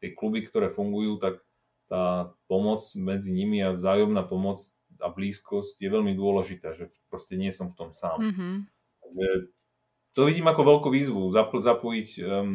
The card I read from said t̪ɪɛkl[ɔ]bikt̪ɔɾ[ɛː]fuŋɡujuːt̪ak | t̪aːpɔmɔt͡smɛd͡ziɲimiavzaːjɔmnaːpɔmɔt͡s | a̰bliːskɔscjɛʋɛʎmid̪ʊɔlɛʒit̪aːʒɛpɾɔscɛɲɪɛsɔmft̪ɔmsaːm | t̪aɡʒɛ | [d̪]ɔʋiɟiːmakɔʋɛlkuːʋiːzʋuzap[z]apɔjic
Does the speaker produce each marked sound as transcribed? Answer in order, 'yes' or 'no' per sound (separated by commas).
no, yes, no, yes